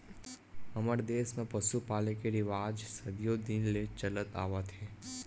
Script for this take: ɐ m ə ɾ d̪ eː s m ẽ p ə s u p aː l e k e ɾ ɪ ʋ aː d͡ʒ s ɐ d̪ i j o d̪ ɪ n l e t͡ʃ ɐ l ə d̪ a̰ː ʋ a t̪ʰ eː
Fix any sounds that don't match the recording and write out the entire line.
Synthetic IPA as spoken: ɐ m ə ɾ d̪ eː s m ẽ p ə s u p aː l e k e ɾ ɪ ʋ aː d͡ʒ s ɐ d̪ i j o d̪ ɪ n l e t͡ʃ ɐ l ə t̪ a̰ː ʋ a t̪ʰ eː